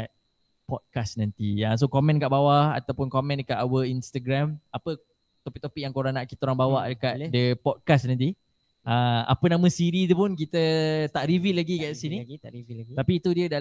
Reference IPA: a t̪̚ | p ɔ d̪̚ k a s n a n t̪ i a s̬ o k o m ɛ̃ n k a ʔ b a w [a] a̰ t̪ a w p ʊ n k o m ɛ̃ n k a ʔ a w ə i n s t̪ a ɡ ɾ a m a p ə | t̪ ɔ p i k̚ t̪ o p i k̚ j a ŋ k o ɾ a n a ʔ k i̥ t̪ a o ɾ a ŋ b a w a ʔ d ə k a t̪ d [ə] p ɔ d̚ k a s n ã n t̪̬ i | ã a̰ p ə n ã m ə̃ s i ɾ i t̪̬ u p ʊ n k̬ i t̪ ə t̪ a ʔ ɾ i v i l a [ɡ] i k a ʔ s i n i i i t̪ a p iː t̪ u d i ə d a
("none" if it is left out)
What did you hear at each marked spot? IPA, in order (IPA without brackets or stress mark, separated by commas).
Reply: a, ə, ɡ